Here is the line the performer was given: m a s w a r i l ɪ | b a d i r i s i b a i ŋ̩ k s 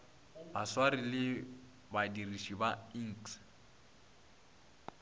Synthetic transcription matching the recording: b a s w a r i l ɪ | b a d i r i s i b a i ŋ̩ k s